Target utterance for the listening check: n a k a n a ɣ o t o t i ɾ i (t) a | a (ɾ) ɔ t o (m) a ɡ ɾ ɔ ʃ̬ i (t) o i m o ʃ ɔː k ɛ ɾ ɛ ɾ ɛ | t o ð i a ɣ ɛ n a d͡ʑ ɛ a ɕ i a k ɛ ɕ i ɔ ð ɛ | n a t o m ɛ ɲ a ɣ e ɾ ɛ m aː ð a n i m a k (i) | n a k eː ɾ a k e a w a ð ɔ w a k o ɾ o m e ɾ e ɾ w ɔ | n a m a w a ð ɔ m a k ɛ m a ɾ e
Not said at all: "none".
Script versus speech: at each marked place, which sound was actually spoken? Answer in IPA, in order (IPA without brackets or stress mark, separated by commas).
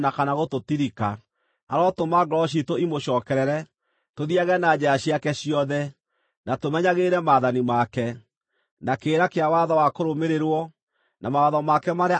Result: k, ɾ, m, t, ɛ